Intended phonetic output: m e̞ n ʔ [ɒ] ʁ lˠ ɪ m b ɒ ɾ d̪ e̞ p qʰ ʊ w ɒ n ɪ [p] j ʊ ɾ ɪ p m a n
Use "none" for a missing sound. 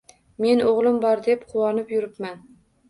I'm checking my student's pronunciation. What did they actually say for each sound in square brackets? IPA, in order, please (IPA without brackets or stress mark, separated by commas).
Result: o, p